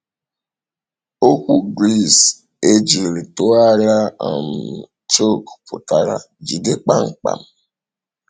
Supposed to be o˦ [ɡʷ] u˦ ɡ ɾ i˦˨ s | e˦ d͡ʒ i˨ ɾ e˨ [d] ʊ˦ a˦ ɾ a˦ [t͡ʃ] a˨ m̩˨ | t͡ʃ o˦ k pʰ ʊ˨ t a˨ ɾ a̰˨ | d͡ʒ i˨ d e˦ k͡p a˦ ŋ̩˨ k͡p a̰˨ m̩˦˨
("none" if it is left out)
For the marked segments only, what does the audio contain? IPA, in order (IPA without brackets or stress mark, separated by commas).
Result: kʷ, t, none